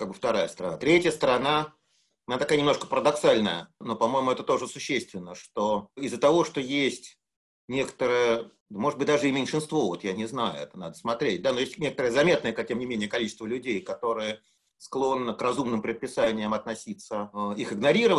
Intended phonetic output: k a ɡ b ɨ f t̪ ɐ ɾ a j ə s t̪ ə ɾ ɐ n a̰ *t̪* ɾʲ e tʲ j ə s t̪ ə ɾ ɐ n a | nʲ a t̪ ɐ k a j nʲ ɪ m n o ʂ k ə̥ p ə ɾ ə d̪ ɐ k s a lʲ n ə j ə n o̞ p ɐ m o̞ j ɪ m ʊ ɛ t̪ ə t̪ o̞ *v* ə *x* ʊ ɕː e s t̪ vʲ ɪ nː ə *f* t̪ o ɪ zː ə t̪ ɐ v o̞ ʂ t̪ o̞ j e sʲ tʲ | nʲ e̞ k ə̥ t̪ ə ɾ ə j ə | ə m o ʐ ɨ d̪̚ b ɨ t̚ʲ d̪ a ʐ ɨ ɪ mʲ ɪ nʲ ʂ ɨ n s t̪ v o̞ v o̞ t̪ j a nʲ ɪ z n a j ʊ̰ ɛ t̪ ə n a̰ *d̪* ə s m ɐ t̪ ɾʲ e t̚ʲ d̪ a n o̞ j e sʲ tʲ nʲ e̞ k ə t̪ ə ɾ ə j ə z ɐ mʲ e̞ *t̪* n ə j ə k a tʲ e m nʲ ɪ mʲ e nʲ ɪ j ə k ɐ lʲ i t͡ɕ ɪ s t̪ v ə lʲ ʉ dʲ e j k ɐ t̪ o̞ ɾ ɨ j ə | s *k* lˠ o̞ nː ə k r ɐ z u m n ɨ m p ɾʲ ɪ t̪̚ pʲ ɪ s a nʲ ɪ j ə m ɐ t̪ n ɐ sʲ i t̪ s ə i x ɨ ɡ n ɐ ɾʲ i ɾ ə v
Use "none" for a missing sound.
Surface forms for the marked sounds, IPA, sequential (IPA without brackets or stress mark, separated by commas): t̪, ʐ, s, ʂ, d̪, t̪, k